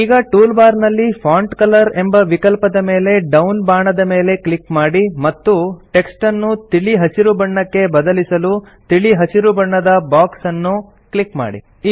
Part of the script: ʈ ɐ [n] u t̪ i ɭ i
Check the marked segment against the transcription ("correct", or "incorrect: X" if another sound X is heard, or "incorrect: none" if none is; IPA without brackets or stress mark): incorrect: nː